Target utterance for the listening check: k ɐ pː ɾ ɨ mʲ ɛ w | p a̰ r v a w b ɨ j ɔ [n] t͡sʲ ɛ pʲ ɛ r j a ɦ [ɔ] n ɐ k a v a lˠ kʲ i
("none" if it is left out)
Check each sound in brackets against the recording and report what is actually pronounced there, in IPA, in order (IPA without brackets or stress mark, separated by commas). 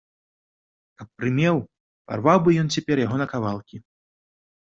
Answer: n, ɔ